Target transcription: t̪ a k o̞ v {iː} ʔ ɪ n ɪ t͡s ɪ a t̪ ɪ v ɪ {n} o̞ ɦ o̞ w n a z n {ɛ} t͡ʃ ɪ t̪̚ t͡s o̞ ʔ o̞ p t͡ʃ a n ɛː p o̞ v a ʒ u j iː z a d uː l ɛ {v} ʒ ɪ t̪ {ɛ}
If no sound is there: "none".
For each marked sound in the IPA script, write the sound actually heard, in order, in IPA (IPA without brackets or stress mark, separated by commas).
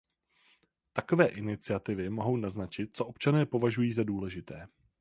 ɛː, m, a, none, ɛː